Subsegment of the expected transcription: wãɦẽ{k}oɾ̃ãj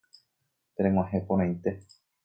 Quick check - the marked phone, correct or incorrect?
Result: incorrect